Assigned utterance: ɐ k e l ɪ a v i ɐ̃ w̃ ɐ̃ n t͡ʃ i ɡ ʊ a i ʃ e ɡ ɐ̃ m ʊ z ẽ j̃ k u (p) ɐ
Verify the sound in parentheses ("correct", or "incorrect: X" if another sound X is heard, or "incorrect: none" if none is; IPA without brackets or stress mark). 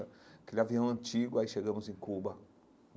incorrect: b